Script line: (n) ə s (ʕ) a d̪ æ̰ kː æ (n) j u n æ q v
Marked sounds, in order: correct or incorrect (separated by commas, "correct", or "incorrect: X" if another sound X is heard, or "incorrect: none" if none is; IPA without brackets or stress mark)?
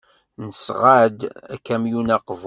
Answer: correct, incorrect: ʁ, incorrect: m